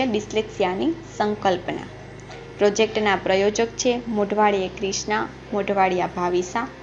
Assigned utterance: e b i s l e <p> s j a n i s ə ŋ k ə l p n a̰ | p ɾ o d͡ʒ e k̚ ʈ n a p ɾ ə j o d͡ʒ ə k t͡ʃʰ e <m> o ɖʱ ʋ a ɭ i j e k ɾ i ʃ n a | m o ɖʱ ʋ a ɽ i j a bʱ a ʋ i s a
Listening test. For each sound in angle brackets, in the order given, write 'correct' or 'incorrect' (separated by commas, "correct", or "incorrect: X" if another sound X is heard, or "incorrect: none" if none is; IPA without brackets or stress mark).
incorrect: k, correct